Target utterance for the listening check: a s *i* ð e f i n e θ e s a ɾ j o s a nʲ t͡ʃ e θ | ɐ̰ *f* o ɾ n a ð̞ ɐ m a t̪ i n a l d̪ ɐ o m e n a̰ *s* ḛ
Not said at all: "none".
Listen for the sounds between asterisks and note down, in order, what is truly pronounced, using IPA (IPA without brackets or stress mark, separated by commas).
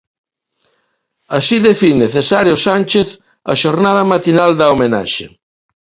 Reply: i, ʃ, ʃ